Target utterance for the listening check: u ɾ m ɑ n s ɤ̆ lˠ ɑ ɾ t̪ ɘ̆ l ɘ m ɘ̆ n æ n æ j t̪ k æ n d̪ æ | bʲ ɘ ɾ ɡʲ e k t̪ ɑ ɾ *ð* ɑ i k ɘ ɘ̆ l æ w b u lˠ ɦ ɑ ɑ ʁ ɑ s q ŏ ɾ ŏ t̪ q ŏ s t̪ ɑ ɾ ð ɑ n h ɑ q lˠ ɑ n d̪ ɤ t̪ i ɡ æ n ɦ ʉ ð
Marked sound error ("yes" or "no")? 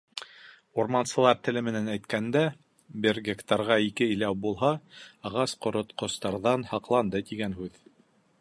yes